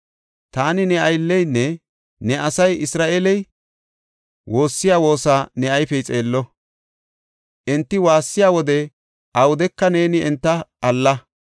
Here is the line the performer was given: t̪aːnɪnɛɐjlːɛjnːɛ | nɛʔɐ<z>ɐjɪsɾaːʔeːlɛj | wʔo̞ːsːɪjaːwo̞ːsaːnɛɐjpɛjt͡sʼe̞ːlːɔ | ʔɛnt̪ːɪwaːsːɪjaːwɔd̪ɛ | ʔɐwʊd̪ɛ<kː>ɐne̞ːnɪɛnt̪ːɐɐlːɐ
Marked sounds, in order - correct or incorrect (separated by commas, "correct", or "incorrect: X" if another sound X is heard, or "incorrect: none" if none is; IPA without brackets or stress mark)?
incorrect: s, correct